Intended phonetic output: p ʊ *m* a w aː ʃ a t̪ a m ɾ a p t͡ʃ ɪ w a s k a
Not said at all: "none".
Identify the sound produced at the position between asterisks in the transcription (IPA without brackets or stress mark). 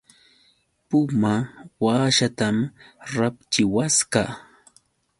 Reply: m